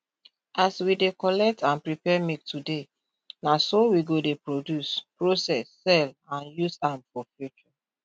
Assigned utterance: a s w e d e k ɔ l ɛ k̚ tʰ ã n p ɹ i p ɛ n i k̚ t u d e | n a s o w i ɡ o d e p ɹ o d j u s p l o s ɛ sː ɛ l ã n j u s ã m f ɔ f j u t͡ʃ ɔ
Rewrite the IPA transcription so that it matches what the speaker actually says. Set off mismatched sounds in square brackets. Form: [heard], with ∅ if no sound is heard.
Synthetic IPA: a s w [i] d e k ɔ l ɛ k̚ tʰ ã n p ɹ i p ɛ [m] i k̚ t u d e | n a s o w i ɡ o d e p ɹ o d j u s p [ɹ] o s ɛ sː ɛ l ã n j u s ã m f ɔ f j u t͡ʃ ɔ